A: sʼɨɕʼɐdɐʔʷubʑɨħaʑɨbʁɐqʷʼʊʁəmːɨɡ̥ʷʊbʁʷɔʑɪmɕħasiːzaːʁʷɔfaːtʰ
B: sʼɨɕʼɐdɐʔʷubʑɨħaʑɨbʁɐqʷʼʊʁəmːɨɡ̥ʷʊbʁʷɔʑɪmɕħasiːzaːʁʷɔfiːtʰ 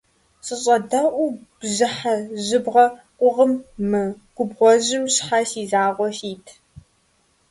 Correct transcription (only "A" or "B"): B